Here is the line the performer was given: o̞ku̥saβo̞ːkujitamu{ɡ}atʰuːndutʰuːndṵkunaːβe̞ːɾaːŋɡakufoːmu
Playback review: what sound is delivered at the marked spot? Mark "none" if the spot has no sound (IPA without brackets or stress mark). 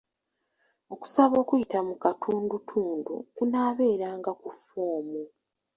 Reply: k